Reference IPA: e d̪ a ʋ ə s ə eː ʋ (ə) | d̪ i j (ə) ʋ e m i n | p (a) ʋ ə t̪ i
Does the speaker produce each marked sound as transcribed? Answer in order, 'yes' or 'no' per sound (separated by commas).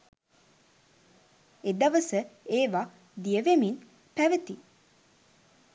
no, yes, no